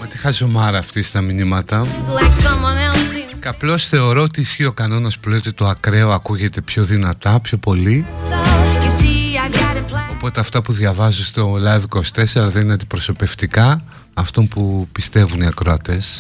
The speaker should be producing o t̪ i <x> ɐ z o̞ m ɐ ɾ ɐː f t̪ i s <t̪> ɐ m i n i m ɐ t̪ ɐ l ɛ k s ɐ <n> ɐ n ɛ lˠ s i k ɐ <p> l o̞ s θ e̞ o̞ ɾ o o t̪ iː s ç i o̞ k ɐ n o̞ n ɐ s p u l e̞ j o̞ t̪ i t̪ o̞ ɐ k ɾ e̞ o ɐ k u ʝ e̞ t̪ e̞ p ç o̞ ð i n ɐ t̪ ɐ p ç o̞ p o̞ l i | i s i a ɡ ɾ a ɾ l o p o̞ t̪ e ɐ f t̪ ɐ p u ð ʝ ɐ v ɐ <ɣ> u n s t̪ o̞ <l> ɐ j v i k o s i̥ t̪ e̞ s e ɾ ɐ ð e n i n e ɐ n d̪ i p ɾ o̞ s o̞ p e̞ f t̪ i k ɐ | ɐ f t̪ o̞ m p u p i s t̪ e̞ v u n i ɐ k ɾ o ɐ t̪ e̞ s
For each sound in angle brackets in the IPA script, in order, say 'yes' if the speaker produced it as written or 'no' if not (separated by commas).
yes, yes, no, yes, no, yes